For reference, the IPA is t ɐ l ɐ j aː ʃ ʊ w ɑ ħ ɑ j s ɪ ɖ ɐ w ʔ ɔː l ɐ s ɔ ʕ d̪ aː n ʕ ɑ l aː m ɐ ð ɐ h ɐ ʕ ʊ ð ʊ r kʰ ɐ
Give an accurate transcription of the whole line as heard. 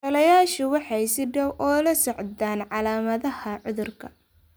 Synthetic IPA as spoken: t ɐ l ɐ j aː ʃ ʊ w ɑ ħ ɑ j s ɪ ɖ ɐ w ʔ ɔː l ɐ s ɔ ʕ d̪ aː n ʕ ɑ l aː m ɐ ð ɐ h ɐ ʕ ʊ ð ʊ r kʰ ɐ